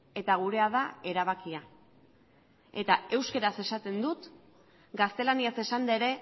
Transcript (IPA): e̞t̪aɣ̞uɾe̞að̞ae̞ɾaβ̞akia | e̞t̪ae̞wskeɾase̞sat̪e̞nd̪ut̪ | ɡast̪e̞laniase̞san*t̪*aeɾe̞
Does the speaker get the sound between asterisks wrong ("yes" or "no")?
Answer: yes